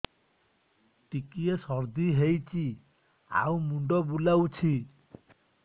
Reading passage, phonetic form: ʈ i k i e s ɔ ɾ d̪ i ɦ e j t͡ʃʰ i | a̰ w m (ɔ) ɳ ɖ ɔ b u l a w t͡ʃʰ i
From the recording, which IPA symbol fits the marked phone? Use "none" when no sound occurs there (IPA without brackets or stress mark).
u